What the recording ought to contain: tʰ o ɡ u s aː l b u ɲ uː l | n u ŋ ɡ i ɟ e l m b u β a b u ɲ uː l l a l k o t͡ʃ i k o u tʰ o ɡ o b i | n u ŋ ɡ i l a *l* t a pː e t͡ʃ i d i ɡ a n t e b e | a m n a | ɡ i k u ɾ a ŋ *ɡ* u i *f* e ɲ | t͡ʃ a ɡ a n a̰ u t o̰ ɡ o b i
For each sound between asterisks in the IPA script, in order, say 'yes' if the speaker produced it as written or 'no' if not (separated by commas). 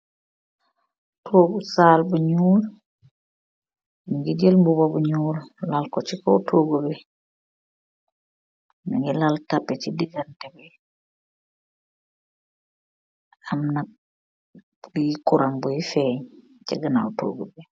yes, no, yes